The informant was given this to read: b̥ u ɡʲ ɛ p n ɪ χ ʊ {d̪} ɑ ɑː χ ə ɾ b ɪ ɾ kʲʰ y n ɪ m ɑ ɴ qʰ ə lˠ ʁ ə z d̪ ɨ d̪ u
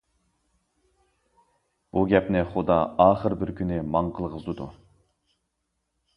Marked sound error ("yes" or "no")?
no